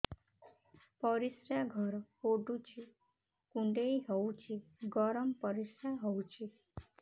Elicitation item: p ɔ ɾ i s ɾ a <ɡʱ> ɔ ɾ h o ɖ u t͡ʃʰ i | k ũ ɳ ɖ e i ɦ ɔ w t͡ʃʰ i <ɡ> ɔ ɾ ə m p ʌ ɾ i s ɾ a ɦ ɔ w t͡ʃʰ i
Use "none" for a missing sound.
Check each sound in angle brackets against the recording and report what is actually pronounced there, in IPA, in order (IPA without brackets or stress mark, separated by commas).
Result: ɡʱ, ɡ